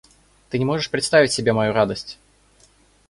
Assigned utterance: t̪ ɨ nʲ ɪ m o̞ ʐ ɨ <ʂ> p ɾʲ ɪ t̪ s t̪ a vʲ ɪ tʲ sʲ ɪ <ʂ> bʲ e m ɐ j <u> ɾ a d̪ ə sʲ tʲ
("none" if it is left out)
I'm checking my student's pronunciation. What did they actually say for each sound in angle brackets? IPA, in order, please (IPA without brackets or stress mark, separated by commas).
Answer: ʂ, none, u